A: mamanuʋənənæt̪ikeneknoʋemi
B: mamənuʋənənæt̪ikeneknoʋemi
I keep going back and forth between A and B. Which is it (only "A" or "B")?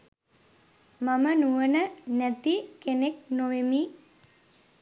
B